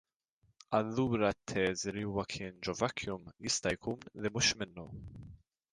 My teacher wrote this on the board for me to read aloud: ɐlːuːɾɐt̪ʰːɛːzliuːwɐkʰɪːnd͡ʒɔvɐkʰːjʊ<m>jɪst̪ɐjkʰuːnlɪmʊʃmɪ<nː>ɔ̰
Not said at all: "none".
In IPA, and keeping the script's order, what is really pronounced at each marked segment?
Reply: m, nː

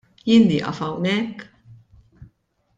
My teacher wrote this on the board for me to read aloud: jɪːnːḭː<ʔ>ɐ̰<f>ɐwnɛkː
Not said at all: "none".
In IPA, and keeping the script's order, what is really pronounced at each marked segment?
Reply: ʔ, f

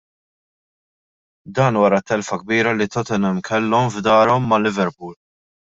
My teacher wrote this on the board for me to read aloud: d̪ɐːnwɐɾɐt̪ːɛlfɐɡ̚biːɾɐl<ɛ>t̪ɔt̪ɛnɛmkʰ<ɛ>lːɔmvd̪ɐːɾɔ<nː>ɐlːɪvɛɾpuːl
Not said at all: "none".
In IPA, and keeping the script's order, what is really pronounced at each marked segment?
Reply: i, ɛ, mː

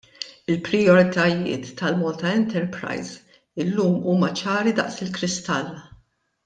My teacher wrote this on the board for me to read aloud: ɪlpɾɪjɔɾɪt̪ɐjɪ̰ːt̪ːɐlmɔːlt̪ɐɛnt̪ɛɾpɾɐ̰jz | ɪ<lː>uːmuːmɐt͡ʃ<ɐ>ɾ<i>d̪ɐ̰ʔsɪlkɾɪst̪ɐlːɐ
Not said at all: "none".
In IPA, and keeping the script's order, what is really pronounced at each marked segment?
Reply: lː, ɐː, i

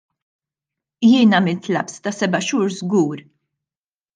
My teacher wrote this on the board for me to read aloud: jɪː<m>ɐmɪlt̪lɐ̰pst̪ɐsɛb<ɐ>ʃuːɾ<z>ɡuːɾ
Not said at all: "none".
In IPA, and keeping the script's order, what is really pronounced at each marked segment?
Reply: n, ɐ, z

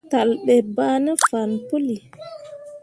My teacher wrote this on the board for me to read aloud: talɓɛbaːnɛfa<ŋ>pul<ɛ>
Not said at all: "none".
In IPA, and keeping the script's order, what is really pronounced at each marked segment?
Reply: n, i

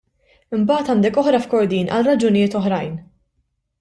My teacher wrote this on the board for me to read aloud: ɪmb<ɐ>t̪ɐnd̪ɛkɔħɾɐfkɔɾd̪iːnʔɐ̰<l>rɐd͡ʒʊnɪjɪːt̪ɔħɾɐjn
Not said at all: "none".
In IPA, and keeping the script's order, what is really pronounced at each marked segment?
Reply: ɐː, l

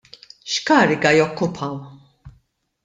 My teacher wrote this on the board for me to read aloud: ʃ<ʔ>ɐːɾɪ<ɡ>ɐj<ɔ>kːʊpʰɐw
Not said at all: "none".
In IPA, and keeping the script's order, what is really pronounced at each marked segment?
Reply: k, ɡ, ɔ

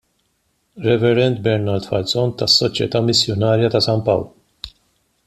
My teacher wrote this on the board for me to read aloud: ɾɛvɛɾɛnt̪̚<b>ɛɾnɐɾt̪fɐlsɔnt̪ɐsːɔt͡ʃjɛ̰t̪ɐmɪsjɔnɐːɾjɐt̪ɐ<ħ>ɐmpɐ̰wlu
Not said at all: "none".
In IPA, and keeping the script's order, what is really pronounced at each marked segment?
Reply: b, s

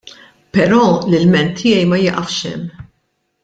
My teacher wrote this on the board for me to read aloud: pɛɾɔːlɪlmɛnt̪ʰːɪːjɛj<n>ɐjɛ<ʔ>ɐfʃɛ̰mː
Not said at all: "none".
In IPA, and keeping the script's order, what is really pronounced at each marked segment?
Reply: m, ʔ

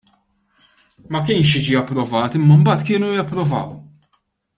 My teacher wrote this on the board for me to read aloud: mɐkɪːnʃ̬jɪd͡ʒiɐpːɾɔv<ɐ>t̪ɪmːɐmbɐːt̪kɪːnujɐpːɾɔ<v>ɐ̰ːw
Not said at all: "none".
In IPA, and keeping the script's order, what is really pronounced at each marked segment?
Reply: ɐː, v

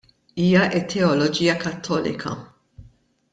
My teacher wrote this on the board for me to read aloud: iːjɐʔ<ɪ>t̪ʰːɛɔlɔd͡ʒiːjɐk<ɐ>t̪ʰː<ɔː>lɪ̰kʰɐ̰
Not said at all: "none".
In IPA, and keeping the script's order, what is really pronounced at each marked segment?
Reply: ɪ, ɐ, ɔː

